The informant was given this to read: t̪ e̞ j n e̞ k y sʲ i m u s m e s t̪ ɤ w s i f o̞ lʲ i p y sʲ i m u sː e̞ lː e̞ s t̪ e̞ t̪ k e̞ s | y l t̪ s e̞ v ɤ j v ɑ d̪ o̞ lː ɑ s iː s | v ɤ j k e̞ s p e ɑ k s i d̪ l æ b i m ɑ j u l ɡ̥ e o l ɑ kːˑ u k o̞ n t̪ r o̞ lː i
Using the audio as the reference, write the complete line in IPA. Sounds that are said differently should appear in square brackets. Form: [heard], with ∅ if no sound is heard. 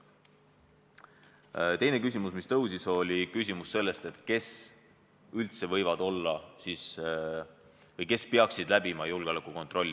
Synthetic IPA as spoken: t̪ e̞ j n e̞ k y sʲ i m u s m [i] s t̪ ɤ w s i [s] o̞ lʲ i [k] y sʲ i m u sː e̞ lː e̞ s t̪ e̞ t̪ k e̞ s | y l t̪ s e̞ v ɤ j v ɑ d̪ o̞ lː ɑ s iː s | v ɤ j k e̞ s p e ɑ k s i d̪ l æ b i m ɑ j u l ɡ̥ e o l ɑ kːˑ u k o̞ n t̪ r o̞ lː i

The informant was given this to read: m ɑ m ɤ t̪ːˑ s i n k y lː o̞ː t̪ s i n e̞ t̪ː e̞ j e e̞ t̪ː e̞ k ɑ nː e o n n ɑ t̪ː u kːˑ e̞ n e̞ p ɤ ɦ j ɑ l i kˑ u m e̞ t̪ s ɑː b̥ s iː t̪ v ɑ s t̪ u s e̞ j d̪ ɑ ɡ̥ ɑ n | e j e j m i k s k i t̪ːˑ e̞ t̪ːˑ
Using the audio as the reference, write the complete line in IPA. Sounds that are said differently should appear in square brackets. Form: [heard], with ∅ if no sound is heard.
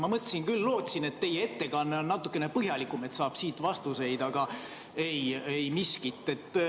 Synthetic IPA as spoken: m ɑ m ɤ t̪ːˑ s i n k y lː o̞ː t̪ s i n e̞ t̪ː e̞ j e e̞ t̪ː e̞ k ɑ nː e o n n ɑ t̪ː u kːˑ e̞ n e̞ p ɤ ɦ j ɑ l i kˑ u m e̞ t̪ s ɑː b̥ s iː t̪ v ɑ s t̪ u s e̞ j d̪ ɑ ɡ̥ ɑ [∅] | e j e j m i [∅] s k i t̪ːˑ e̞ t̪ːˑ

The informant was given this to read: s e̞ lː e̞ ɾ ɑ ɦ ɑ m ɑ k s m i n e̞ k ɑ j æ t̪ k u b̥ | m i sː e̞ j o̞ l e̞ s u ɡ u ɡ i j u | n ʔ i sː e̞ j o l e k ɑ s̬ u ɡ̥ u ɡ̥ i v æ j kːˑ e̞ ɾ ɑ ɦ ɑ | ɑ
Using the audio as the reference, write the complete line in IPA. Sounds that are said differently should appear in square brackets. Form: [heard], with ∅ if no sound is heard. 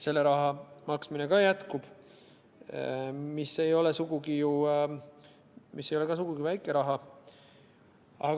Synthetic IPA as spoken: s e̞ lː e̞ ɾ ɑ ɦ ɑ m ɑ k s m i n e̞ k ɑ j æ t̪ k u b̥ | m i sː e̞ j o̞ l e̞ s u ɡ u ɡ i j u | [m] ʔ i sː e̞ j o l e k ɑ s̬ u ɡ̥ u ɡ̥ i v æ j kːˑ e̞ ɾ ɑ ɦ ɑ | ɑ

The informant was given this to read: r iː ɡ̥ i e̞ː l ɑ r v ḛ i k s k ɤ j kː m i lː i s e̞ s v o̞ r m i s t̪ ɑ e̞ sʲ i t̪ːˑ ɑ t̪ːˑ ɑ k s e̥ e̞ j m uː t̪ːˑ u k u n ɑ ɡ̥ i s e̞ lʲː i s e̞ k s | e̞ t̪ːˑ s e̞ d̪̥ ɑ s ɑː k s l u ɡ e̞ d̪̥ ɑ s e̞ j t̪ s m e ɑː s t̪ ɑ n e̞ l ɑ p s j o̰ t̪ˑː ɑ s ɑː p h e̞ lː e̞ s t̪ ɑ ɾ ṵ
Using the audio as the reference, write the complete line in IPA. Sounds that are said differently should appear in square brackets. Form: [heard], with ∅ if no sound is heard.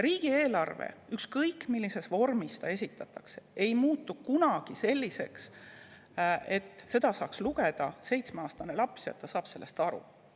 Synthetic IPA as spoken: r iː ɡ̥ i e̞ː l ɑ r v ḛ [y] k s k ɤ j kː m i lː i s e̞ s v o̞ r m i s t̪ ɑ e̞ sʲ i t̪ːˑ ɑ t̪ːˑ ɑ k s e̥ e̞ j m uː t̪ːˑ u k u n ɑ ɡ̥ i s e̞ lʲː i s e̞ k s | e̞ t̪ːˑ s e̞ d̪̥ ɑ s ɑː k s l u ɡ e̞ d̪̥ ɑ s e̞ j t̪ s m e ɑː s t̪ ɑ n e̞ l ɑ p s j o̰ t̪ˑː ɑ s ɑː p [s] e̞ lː e̞ s t̪ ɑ ɾ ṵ

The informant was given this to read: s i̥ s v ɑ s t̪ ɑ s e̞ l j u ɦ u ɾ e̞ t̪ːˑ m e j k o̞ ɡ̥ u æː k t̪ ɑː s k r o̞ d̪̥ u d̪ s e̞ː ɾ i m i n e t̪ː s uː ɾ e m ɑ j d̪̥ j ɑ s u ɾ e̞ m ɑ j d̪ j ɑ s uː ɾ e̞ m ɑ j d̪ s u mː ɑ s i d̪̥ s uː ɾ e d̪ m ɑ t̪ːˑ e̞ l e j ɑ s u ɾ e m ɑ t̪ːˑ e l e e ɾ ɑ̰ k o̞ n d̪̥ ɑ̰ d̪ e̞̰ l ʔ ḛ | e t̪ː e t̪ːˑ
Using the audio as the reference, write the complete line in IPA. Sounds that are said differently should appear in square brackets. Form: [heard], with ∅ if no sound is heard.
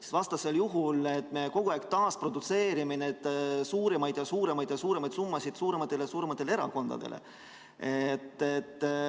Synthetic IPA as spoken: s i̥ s v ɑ s t̪ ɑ s e̞ l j u ɦ u [l] e̞ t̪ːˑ m e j k o̞ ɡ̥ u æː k t̪ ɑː s [p] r o̞ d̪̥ u [t̪] s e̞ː ɾ i m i n e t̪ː s uː ɾ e m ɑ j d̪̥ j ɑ s [uː] ɾ e̞ m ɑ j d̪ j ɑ s uː ɾ e̞ m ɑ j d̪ s u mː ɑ s i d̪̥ s uː ɾ e [∅] m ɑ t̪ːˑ e̞ l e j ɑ s [uː] ɾ e m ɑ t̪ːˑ e l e e ɾ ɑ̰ k o̞ n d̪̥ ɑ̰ d̪ e̞̰ l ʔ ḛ | e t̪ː e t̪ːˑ

